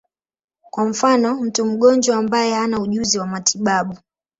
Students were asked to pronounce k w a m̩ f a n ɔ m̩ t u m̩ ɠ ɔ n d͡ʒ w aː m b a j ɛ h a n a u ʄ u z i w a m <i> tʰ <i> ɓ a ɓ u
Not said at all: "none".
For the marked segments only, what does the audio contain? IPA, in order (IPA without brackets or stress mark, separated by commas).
a, i